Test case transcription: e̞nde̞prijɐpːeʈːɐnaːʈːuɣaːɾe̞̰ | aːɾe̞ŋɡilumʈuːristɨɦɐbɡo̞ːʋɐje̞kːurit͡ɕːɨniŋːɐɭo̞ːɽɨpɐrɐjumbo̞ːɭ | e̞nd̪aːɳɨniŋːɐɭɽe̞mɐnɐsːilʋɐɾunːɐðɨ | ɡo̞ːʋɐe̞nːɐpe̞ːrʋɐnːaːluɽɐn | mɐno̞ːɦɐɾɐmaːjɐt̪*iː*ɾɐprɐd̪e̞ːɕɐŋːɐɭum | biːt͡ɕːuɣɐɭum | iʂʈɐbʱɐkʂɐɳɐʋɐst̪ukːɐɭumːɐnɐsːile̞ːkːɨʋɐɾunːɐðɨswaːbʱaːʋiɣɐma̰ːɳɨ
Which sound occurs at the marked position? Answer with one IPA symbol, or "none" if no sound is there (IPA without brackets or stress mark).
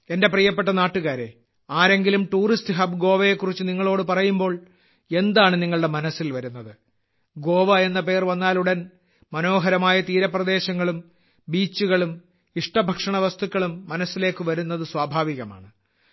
iː